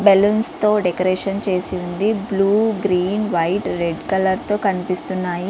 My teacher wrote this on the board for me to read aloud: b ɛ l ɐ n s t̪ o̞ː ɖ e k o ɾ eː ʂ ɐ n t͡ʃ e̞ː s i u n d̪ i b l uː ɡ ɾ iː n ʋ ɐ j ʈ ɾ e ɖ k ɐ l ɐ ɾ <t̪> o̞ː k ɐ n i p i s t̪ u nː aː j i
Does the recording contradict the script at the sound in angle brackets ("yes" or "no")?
no